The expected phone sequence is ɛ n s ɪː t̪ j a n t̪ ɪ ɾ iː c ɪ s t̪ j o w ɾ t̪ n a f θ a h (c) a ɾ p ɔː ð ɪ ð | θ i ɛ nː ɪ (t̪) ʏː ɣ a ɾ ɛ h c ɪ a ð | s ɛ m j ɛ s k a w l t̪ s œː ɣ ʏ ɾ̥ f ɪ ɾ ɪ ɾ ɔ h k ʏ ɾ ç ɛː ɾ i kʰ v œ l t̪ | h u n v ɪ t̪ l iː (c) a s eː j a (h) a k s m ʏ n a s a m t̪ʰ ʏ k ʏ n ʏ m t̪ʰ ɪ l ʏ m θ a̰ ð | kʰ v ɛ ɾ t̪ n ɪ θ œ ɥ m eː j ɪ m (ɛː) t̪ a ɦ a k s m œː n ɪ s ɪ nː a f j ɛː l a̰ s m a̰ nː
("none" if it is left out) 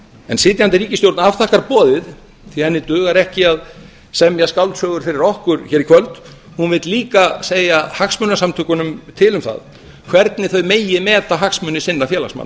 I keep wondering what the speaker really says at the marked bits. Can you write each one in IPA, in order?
k, t̪, k, h, ɛː

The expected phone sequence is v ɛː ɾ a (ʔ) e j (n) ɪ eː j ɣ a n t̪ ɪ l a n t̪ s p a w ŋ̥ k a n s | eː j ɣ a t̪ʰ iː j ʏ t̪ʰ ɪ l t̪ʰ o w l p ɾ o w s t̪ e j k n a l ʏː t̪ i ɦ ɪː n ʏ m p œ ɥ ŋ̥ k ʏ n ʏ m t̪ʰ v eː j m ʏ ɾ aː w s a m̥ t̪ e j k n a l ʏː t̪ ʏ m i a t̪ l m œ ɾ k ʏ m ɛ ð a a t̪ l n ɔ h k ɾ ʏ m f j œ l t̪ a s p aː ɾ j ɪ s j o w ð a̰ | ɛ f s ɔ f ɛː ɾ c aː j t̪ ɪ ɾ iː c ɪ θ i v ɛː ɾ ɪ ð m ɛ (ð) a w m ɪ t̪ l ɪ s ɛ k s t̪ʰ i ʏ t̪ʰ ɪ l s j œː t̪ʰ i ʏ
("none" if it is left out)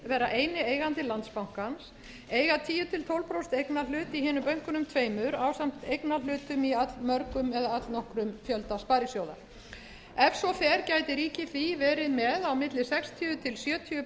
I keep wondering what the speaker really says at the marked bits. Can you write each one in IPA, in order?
ʔ, n, ð

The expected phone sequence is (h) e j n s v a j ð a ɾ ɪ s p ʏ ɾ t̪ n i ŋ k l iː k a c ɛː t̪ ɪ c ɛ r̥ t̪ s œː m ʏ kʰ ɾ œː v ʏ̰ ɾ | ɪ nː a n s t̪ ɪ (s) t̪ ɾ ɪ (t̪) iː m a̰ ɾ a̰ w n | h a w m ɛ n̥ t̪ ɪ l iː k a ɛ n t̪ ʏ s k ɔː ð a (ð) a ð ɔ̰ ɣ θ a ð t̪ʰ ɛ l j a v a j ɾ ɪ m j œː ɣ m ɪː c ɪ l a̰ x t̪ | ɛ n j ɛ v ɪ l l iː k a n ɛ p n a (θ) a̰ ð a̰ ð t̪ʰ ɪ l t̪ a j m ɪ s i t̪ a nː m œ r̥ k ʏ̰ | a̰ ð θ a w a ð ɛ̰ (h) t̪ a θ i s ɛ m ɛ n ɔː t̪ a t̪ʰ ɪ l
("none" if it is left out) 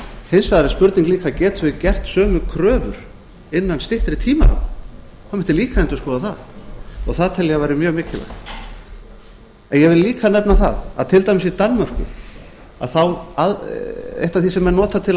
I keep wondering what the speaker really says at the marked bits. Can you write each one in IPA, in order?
h, h, t̪ʰ, θ, θ, h

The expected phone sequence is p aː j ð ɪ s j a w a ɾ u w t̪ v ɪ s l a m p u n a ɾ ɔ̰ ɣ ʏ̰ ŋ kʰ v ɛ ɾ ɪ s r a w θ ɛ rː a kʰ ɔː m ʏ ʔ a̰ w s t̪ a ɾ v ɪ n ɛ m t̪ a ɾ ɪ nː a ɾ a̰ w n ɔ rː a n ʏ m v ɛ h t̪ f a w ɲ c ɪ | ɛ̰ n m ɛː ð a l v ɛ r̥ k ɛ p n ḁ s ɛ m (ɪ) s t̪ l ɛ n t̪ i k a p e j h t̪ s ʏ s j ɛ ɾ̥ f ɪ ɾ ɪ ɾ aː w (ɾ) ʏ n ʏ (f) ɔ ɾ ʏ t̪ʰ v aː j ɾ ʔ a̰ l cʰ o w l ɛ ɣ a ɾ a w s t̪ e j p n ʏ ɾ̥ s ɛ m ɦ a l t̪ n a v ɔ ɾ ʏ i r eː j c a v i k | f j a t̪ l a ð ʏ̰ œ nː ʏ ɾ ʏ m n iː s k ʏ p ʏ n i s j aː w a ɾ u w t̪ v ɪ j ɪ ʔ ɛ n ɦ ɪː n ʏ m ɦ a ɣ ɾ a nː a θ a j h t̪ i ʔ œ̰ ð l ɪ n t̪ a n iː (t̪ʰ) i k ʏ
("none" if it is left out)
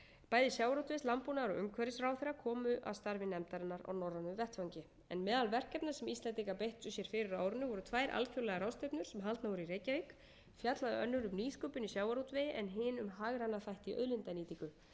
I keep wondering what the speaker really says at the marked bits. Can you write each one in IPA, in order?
i, ɾ, v, t̪

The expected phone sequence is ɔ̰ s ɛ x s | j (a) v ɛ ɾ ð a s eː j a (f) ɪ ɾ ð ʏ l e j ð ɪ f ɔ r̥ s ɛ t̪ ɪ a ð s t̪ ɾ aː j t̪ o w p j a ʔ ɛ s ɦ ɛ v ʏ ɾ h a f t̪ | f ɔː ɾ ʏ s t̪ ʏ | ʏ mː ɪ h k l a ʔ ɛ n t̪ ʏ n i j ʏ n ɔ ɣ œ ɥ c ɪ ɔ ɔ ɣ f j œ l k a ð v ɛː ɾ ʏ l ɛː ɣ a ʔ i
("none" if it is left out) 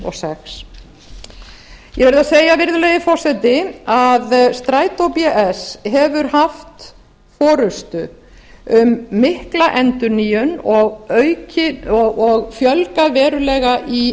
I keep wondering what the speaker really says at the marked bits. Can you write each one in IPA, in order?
ɛ, v

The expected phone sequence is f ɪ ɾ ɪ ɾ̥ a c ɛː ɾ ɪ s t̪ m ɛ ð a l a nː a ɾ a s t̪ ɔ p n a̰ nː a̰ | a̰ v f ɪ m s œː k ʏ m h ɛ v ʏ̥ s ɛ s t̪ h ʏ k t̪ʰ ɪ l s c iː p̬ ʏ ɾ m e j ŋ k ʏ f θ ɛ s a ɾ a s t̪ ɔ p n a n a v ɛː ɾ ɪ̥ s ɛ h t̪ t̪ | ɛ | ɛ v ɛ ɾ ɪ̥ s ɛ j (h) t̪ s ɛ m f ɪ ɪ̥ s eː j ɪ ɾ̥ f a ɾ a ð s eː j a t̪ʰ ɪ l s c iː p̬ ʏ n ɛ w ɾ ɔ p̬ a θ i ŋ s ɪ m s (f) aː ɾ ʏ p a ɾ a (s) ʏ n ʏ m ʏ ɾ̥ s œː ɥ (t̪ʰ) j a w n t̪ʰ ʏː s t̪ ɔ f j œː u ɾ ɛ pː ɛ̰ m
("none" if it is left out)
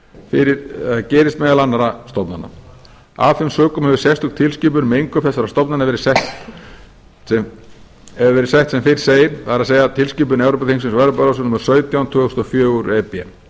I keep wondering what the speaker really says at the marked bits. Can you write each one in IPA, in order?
h, v, s, t̪

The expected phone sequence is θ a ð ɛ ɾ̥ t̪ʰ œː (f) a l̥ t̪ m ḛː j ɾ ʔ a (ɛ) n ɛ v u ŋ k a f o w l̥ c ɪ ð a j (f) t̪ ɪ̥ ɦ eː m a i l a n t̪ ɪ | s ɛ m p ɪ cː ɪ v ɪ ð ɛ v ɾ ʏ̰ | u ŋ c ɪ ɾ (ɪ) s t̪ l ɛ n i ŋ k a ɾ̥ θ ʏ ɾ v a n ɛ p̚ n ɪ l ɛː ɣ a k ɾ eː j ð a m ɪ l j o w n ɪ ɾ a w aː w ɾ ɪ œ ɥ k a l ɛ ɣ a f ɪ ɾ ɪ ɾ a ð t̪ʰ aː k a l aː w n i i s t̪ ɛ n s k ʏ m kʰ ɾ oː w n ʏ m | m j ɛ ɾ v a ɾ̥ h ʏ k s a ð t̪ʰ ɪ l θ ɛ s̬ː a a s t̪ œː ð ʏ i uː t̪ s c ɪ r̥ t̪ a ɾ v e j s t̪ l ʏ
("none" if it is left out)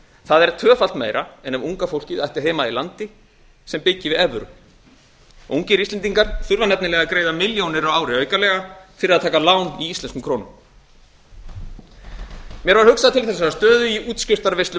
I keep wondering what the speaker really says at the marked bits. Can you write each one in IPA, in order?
f, ɛ, h, i

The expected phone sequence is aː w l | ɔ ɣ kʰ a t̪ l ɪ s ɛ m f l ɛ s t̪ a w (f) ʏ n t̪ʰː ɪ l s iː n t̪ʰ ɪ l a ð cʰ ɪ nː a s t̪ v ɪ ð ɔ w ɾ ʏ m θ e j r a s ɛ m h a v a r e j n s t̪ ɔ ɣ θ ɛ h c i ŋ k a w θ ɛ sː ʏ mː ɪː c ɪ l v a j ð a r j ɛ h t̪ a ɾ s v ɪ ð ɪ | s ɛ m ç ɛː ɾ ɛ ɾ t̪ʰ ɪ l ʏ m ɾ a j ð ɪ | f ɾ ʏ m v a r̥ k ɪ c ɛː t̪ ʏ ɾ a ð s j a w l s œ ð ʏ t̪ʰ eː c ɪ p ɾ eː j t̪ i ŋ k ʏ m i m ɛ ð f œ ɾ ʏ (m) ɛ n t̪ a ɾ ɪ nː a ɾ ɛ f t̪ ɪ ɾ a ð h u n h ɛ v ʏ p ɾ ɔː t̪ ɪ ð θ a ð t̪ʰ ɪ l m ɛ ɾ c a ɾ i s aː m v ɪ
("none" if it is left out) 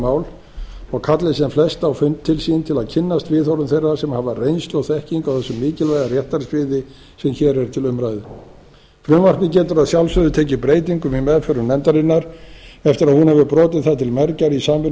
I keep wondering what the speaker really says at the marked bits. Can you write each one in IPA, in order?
f, n

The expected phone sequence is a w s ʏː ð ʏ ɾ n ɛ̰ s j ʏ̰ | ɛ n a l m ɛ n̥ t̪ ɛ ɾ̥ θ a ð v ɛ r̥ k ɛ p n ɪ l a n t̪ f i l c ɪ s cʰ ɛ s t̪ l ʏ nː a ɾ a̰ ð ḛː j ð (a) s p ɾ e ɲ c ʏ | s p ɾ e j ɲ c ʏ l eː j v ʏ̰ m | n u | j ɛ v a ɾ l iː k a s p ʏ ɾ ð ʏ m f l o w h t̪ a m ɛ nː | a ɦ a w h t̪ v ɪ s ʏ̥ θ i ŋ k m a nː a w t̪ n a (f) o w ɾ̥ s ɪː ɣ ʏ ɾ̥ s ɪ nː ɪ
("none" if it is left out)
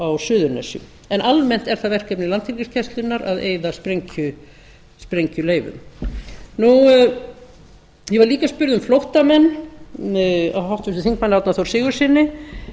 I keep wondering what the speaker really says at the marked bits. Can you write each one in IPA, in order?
a, θ

